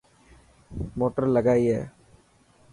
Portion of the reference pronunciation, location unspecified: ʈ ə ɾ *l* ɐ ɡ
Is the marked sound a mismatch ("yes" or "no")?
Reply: no